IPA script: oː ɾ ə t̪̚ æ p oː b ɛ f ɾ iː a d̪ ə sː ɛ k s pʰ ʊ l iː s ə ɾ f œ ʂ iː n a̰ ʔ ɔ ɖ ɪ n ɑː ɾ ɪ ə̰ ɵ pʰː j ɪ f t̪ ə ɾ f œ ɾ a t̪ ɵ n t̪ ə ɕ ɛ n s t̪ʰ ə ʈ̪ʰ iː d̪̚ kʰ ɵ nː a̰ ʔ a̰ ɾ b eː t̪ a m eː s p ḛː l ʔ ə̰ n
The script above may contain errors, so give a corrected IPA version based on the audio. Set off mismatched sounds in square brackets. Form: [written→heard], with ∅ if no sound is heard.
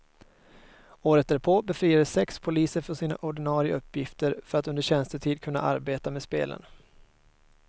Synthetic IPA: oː ɾ ə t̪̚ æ [p→pʰ] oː b ɛ f ɾ iː a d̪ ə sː ɛ k s pʰ ʊ l iː s ə ɾ f œ ʂ iː n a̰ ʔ ɔ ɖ ɪ n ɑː ɾ ɪ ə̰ ɵ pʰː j ɪ f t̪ ə ɾ f œ ɾ a t̪ ɵ n [t̪→d̪] ə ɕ ɛ n s [t̪ʰ→t̪] ə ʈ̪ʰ iː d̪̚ kʰ ɵ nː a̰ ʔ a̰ ɾ b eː t̪ a m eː s p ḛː l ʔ ə̰ n